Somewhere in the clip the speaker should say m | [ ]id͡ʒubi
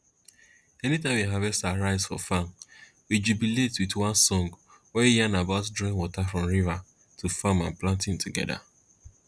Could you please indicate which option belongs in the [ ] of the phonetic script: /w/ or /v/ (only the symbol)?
w